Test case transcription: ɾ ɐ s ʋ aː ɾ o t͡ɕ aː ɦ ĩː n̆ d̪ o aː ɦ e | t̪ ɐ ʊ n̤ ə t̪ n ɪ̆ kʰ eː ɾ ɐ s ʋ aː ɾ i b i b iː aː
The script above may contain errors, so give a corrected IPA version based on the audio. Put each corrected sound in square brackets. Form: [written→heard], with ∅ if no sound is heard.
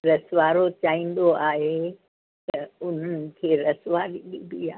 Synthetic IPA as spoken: ɾ ɐ s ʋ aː ɾ o t͡ɕ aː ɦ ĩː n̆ d̪ o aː ɦ e | t̪ ɐ ʊ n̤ ə [t̪→∅] n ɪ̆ kʰ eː ɾ ɐ s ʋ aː ɾ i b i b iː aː